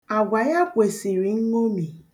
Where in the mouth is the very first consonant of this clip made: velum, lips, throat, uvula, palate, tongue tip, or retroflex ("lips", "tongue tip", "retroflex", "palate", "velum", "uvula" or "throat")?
velum